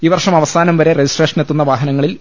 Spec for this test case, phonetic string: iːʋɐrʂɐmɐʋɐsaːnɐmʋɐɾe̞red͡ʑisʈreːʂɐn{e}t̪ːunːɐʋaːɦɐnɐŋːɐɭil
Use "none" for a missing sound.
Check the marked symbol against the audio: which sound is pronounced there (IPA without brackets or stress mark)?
e